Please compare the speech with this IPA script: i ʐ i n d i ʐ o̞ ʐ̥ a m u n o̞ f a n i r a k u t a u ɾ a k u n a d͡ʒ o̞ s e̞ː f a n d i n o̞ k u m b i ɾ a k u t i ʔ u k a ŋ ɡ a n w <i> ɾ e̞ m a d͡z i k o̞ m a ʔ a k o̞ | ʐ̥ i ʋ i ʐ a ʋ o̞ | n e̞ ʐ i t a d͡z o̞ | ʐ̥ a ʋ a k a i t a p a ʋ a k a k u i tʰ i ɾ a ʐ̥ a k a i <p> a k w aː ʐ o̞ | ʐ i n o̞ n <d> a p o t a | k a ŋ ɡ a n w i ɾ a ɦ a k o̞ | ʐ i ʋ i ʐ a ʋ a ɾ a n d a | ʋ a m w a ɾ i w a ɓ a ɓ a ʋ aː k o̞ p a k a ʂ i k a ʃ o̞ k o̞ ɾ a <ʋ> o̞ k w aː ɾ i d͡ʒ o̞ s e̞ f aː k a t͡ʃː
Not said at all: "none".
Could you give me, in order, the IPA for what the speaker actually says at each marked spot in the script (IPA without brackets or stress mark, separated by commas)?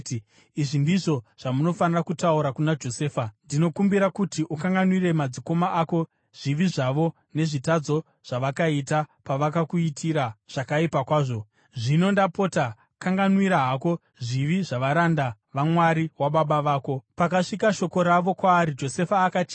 i, p, d, ʋ